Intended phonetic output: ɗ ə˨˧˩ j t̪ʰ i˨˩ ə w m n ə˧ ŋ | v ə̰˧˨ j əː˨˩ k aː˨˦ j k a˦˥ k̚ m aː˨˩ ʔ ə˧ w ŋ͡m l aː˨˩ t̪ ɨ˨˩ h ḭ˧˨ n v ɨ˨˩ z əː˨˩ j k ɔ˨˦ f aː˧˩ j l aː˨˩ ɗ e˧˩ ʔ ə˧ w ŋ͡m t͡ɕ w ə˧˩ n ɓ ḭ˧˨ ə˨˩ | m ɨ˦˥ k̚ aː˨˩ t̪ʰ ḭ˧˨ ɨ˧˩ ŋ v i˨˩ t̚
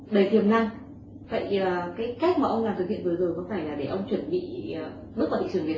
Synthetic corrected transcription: ɗ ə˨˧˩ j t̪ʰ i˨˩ ə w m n a˧ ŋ | v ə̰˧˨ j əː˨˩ k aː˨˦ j k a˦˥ k̚ m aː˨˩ ʔ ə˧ w ŋ͡m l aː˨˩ t̪ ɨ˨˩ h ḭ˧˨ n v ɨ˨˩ z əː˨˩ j k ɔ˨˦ f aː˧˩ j l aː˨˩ ɗ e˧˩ ʔ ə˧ w ŋ͡m t͡ɕ w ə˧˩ n ɓ ḭ˧˨ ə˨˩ | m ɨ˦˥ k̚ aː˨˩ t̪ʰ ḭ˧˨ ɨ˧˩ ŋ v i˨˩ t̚